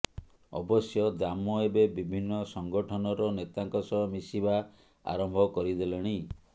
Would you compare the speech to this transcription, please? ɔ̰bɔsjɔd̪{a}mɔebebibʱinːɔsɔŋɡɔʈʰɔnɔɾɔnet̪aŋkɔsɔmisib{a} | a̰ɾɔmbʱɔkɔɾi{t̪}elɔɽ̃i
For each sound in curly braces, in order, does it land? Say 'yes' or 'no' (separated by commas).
yes, yes, no